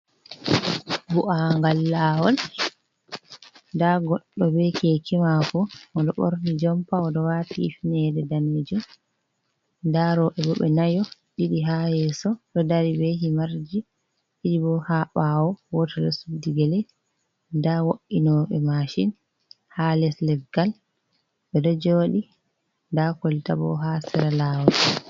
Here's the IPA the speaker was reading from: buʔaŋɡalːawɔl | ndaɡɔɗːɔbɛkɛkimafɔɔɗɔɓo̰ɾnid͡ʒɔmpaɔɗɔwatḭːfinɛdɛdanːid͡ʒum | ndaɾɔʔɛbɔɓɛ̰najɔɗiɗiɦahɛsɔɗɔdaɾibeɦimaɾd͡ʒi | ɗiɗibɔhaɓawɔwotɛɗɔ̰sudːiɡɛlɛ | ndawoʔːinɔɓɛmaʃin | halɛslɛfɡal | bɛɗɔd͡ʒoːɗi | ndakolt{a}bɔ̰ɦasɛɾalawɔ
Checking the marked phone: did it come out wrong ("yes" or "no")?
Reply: no